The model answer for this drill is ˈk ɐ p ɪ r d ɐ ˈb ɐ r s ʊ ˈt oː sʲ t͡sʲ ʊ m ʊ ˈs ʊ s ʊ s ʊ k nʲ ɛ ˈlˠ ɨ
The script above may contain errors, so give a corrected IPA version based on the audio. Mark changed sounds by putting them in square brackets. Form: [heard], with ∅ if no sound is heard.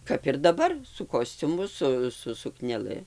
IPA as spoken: ˈk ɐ p ɪ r d ɐ ˈb ɐ r s ʊ [ˈk] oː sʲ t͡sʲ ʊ m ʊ ˈs ʊ s ʊ s ʊ k nʲ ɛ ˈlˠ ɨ